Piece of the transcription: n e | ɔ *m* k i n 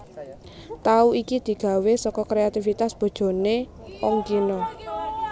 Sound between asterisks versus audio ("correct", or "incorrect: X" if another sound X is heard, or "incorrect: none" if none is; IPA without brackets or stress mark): incorrect: ŋ